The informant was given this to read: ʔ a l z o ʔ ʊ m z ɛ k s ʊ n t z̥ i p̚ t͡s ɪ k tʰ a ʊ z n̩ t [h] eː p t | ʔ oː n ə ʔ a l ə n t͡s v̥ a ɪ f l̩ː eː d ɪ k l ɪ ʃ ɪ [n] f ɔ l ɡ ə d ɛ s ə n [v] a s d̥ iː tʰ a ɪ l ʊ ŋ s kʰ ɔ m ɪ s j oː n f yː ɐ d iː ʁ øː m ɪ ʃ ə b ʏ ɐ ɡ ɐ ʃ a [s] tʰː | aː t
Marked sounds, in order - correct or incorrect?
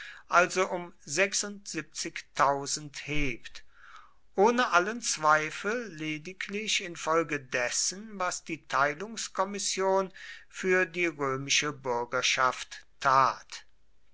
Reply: correct, correct, correct, incorrect: f

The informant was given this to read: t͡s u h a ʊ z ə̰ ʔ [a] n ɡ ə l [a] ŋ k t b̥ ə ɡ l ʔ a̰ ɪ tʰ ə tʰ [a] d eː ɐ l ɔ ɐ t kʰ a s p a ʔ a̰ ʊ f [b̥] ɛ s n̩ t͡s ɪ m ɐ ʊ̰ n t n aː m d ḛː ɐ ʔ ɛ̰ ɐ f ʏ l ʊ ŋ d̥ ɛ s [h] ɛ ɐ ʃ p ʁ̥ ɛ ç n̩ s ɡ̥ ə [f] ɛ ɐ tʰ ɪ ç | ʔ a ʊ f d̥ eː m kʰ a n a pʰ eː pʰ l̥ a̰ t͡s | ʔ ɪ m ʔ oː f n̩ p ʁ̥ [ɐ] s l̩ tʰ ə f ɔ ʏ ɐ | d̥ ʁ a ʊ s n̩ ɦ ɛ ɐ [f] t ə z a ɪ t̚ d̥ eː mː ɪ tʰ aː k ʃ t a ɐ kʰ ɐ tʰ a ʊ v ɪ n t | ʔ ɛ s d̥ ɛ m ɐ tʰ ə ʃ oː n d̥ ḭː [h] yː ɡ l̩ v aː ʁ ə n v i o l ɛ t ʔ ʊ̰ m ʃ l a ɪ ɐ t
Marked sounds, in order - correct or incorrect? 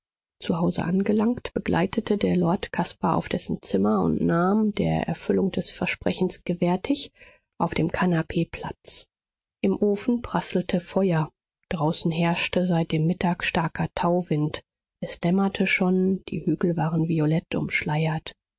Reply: correct, correct, incorrect: ə, incorrect: d̥, incorrect: f, incorrect: v, incorrect: a, incorrect: ʃ, correct

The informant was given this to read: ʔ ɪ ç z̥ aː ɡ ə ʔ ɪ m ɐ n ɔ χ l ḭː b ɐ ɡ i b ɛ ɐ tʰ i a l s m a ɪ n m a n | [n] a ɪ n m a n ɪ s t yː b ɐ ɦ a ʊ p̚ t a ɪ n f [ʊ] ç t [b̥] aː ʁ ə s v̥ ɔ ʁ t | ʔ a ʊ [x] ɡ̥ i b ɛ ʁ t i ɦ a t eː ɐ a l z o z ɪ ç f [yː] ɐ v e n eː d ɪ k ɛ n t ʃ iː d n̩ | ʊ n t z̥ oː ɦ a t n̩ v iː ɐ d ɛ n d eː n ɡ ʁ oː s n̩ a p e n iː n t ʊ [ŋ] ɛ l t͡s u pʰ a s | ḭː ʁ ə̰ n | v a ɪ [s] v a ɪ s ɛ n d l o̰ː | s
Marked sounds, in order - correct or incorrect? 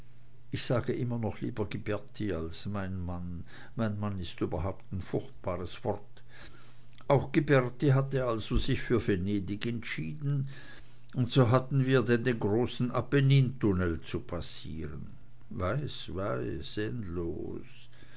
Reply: incorrect: m, correct, correct, correct, correct, incorrect: n, correct

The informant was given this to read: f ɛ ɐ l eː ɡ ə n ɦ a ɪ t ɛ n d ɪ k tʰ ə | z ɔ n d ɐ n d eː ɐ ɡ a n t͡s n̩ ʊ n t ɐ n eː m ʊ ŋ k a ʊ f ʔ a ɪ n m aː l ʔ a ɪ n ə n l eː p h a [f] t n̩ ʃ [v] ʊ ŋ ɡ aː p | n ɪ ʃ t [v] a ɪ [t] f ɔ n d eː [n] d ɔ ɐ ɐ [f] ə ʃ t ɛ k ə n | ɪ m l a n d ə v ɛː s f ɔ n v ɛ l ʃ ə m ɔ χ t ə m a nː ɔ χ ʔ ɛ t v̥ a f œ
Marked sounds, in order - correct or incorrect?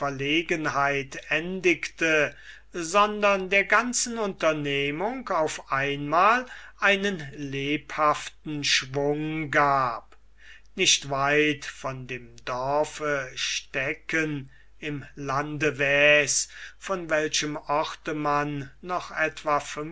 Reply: correct, correct, correct, correct, incorrect: m, correct

